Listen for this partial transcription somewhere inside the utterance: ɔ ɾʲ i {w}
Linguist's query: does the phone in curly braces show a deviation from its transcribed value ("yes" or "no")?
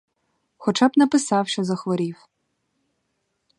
no